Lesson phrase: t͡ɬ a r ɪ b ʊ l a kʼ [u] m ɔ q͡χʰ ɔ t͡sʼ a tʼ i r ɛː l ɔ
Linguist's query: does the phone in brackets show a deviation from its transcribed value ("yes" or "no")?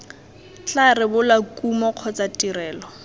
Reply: no